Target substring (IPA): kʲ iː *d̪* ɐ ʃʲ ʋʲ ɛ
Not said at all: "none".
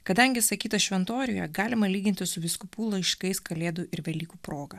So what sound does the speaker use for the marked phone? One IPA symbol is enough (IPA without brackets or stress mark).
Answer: t̪